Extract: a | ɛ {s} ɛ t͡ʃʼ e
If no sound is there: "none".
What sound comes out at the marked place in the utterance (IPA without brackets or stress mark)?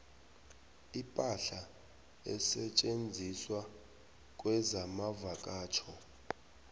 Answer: s